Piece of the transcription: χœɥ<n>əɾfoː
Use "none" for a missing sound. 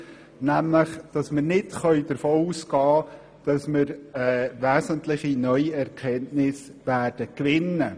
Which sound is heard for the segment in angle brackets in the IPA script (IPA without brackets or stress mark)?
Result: d